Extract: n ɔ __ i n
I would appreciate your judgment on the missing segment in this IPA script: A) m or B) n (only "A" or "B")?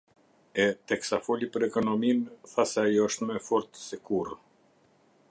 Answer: A